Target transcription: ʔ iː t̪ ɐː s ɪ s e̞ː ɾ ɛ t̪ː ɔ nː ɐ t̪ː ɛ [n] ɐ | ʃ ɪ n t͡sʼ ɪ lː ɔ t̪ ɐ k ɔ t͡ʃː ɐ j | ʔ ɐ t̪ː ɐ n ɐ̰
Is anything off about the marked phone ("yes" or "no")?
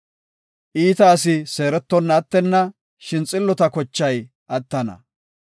yes